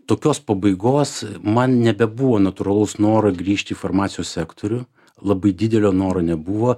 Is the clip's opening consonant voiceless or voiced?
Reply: voiceless